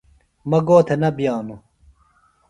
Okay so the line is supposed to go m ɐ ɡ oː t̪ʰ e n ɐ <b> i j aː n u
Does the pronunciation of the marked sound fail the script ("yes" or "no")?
no